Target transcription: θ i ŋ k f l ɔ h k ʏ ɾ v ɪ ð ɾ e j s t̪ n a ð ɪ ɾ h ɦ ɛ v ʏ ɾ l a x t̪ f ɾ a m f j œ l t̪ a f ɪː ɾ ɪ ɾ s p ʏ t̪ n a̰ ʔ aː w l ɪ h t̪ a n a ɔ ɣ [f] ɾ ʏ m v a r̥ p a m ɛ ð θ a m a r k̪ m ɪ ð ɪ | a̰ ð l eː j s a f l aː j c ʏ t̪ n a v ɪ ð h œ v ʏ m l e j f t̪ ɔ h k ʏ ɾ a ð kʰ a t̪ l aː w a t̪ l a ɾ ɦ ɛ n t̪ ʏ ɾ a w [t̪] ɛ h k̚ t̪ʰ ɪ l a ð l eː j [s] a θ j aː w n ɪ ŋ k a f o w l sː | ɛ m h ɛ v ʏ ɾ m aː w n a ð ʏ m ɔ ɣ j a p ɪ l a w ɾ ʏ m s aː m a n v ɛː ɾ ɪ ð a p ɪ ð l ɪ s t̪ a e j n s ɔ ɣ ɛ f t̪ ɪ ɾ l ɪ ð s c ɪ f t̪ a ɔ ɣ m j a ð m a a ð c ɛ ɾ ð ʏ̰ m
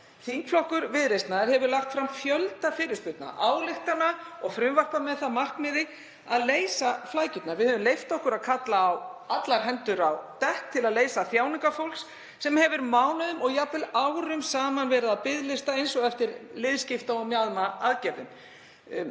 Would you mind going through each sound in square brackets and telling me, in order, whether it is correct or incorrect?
correct, correct, correct

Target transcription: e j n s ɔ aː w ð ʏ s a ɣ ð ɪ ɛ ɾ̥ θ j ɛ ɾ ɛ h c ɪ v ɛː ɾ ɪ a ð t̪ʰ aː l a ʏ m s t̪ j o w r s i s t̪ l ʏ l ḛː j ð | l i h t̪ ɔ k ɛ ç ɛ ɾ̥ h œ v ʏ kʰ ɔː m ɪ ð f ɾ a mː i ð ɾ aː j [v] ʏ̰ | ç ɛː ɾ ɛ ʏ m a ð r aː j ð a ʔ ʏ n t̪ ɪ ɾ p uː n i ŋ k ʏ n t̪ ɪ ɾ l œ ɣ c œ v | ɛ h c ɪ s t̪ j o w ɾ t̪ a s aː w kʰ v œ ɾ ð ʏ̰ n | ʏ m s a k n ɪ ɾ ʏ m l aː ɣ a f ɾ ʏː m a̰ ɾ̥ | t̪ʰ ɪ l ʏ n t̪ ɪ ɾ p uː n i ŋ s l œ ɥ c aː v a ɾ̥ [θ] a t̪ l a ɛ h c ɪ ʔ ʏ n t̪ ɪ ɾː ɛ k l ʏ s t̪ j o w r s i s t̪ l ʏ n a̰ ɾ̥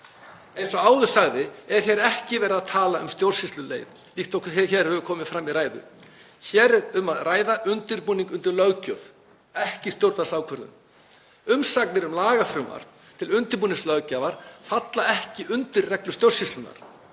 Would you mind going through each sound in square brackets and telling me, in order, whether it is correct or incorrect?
incorrect, incorrect

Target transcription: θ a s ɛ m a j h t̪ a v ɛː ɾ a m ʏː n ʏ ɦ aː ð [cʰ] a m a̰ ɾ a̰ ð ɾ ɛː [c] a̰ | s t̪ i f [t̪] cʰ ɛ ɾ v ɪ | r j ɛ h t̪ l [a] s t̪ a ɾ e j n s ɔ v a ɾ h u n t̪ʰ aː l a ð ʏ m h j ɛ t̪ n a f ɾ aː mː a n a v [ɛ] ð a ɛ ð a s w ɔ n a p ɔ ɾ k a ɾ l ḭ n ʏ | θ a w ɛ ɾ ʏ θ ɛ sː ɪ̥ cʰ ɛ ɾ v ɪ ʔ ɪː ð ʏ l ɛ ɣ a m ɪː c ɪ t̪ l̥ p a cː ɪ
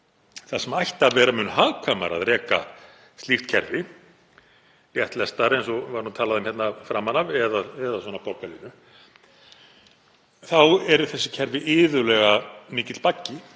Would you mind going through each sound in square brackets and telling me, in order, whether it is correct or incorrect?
incorrect, incorrect, correct, incorrect, correct

